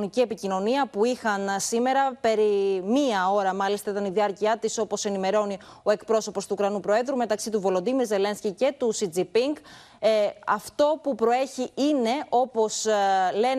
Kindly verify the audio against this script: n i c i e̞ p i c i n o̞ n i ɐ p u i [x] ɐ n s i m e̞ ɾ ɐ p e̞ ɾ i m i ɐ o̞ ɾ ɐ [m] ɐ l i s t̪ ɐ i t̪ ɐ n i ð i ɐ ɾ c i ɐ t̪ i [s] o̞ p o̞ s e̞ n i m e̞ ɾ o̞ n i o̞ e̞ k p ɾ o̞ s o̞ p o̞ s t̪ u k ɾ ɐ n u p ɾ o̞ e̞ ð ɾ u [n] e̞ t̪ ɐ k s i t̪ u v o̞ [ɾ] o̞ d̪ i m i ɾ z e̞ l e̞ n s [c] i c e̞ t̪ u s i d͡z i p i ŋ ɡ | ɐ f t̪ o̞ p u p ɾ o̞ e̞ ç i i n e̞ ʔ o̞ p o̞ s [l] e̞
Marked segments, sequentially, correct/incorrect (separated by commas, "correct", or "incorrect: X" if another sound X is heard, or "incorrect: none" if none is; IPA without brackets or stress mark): correct, correct, correct, incorrect: m, incorrect: l, correct, correct